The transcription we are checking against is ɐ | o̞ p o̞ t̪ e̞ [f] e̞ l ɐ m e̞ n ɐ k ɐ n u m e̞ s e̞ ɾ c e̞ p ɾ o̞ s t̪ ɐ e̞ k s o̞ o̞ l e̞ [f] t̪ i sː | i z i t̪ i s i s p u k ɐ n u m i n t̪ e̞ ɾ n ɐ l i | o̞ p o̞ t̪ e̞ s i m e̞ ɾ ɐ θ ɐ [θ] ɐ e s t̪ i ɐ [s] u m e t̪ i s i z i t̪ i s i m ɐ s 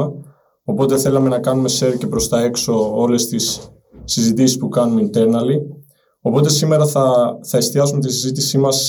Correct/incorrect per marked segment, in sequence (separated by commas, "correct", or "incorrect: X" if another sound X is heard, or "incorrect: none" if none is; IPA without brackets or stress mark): incorrect: θ, incorrect: s, correct, correct